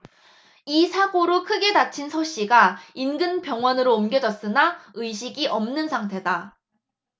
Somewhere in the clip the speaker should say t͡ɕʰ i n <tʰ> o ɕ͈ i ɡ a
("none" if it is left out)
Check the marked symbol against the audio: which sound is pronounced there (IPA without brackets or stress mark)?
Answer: sʰ